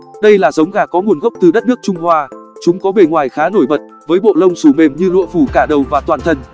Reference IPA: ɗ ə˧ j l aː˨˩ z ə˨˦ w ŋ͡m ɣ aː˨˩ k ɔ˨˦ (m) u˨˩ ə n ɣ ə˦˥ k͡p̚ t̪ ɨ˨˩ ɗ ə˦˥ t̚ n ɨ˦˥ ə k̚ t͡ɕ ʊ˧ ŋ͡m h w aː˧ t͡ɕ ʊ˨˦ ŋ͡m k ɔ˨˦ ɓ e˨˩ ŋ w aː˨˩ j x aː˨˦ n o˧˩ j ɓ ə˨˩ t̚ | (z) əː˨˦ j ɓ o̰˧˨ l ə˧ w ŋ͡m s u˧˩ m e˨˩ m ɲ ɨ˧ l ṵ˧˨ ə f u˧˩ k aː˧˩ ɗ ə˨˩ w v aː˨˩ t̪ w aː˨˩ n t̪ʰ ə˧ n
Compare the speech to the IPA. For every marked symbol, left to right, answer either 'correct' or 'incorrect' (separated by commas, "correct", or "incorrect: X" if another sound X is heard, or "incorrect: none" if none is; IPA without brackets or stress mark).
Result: incorrect: ŋ, incorrect: v